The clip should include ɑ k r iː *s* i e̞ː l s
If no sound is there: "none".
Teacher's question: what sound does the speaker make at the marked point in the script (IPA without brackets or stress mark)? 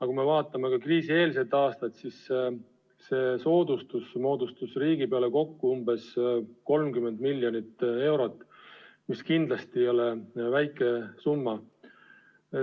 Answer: s